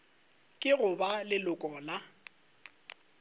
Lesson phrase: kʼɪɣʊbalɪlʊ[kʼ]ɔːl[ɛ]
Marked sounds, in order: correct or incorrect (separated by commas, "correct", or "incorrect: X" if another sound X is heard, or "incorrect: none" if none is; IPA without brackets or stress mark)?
correct, incorrect: a